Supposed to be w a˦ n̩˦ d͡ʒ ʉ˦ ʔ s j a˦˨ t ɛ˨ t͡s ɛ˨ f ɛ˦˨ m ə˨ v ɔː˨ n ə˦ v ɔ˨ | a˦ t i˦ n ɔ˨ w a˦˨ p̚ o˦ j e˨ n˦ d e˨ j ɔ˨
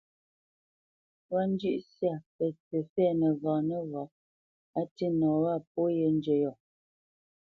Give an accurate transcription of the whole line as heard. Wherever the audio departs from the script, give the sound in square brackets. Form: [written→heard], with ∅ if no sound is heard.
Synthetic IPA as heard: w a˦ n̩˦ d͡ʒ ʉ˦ ʔ s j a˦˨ [t→p] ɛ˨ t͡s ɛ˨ f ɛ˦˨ [m→n] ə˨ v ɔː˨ n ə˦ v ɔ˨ | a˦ t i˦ n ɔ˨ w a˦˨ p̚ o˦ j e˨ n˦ [d→d͡ʒ] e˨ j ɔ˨